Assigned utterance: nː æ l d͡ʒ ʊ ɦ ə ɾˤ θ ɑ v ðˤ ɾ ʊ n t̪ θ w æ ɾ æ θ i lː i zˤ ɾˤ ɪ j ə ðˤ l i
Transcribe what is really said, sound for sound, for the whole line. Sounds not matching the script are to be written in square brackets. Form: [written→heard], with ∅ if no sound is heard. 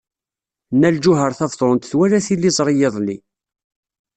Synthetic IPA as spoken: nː æ l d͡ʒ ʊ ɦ ə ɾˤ θ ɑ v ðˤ ɾ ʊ n t̪ θ w æ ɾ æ θ i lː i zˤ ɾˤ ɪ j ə ðˤ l i